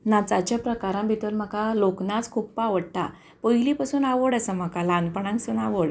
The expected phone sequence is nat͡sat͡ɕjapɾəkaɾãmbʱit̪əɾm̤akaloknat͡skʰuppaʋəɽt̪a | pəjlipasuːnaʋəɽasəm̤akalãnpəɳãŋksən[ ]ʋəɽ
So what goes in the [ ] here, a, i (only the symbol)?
a